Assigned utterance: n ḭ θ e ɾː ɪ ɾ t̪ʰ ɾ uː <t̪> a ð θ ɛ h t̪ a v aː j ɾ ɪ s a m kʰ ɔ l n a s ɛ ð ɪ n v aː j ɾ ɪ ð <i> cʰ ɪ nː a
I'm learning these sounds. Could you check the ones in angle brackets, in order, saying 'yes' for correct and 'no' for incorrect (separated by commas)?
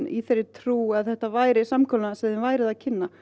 no, no